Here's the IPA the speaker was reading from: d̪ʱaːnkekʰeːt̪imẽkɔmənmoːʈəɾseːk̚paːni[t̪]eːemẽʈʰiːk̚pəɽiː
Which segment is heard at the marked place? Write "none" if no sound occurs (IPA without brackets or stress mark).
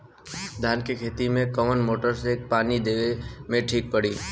d̪